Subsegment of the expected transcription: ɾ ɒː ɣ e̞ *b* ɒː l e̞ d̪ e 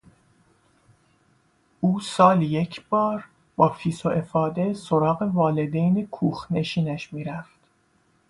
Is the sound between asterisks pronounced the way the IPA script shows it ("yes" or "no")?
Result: no